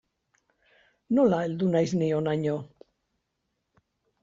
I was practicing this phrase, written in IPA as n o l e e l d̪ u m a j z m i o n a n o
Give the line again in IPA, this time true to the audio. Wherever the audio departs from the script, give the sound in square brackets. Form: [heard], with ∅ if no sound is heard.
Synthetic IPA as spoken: n o l [a] e l d̪ u [n] a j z [n] i o n a [ɲ] o